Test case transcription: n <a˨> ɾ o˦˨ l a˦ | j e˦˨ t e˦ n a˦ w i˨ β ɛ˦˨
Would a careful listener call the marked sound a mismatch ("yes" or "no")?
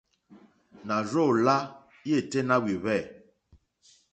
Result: no